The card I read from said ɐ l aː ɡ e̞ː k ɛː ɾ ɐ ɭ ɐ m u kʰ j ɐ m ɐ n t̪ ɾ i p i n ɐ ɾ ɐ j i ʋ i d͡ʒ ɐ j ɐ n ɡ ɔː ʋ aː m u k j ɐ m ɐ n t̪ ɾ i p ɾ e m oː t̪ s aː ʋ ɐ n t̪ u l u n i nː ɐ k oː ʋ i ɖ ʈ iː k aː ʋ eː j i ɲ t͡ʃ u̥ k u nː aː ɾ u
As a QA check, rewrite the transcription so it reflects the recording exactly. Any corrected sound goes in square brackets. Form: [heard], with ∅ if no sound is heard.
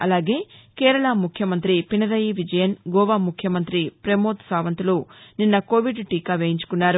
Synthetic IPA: ɐ l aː ɡ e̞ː k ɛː ɾ ɐ ɭ ɐ m u kʰ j ɐ m ɐ n t̪ ɾ i p i n ɐ ɾ ɐ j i ʋ i d͡ʒ ɐ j ɐ n ɡ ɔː ʋ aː m u [kʰ] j ɐ m ɐ n t̪ ɾ i p ɾ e m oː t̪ s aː ʋ ɐ n t̪ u l u n i nː ɐ k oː ʋ i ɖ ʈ iː k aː ʋ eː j i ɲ t͡ʃ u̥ k u nː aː ɾ u